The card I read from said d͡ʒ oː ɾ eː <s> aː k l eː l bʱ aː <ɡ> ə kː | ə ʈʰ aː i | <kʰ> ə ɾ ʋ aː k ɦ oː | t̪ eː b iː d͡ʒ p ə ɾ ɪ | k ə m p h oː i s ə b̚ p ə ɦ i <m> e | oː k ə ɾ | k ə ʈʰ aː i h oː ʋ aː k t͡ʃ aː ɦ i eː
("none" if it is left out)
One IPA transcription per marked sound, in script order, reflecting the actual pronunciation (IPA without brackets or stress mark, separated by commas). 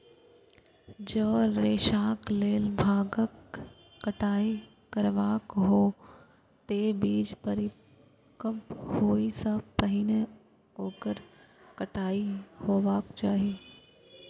ʃ, ɡ, k, n